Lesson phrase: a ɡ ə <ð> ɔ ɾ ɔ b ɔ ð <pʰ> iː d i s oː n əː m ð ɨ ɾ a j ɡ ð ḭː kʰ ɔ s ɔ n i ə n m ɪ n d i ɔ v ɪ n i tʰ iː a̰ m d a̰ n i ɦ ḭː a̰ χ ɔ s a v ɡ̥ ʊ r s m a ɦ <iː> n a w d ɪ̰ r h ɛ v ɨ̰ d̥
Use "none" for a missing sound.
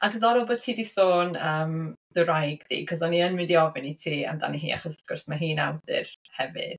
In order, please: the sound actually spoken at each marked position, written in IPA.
ð, tʰ, iː

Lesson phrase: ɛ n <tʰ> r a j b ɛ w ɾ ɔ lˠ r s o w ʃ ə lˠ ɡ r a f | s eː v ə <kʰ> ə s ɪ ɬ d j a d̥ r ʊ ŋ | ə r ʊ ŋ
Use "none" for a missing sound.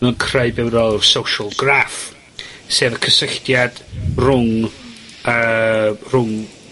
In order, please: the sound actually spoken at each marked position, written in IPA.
kʰ, kʰ

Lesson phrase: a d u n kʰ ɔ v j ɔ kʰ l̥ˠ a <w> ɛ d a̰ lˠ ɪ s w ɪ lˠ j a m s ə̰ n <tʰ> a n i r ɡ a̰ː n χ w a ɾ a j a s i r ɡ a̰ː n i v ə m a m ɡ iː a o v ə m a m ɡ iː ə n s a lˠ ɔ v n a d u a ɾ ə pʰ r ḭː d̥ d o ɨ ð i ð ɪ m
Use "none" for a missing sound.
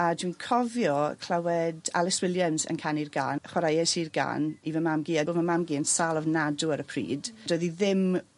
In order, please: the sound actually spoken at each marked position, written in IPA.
w, kʰ

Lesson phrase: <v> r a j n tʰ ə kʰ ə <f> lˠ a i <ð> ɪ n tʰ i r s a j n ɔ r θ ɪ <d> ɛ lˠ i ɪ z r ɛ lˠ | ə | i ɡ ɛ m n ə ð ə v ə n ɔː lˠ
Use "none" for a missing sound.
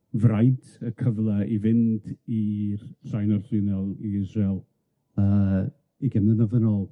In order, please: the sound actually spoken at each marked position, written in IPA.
v, v, v, n

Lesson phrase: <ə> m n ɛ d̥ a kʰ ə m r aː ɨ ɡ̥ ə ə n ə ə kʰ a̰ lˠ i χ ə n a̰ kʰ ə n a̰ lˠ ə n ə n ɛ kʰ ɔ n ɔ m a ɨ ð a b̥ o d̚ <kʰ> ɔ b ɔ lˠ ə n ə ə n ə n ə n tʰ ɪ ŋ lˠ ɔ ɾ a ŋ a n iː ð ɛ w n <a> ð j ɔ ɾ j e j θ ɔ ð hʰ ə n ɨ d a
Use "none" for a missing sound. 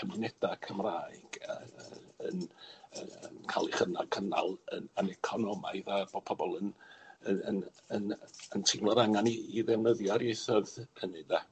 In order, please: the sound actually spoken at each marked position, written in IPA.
ə, pʰ, ə

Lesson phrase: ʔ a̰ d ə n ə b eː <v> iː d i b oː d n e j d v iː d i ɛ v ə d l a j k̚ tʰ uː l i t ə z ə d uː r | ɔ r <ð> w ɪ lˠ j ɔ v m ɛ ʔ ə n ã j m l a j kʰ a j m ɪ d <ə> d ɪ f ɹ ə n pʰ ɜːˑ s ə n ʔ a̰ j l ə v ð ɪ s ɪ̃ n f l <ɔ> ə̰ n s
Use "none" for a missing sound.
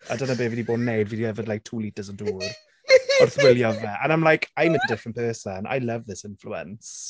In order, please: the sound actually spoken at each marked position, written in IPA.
v, θ, ə, u

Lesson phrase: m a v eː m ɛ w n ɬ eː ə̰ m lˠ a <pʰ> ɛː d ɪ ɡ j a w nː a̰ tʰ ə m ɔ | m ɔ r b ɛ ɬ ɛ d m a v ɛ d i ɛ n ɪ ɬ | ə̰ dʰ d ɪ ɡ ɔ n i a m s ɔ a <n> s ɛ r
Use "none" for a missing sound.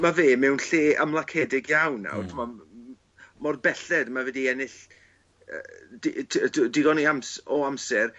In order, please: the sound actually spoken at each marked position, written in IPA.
kʰ, m

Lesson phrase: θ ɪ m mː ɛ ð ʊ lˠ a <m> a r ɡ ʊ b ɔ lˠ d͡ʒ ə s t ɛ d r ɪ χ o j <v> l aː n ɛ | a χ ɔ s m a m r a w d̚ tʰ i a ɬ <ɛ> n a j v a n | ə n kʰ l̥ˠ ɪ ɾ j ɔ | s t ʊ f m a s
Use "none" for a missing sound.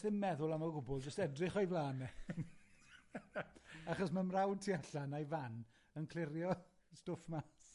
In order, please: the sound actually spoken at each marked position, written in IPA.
m, v, a

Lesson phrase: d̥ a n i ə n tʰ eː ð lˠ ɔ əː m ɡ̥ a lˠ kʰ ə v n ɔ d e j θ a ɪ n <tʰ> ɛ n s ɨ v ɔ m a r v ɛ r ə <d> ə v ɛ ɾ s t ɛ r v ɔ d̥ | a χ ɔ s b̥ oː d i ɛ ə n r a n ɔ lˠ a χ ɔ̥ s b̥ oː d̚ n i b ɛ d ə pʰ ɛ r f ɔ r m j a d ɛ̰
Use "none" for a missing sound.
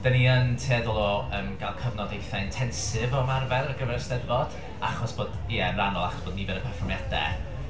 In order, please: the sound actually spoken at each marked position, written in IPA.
tʰ, ɡ

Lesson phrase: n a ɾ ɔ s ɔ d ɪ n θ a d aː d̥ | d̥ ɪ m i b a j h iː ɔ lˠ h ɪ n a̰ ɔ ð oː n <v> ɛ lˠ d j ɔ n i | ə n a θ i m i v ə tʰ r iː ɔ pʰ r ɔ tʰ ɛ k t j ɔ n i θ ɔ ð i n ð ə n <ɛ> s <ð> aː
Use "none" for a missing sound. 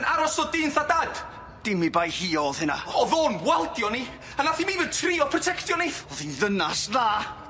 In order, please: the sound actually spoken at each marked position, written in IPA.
w, a, ð

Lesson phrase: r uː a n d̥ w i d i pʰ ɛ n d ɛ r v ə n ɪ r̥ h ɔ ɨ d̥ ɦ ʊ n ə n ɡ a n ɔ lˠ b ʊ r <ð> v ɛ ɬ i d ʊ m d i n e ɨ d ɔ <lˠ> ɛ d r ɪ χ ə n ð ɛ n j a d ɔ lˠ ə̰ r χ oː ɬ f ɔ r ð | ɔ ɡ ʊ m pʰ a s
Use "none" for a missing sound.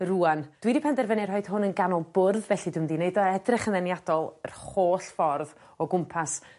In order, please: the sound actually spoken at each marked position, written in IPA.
ð, none

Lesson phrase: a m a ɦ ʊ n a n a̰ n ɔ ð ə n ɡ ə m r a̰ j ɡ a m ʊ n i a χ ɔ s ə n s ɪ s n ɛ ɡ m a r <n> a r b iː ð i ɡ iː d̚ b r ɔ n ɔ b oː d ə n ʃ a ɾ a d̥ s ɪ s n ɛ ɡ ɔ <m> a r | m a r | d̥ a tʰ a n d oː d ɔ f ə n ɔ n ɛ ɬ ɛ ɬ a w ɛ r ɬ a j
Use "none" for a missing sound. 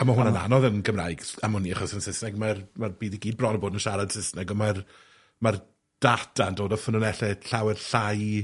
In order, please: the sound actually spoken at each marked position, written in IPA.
m, m

